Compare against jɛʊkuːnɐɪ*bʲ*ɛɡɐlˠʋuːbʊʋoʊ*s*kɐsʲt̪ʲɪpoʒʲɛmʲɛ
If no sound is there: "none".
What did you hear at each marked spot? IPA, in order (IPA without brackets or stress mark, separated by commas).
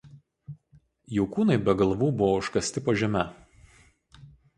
bʲ, ʃ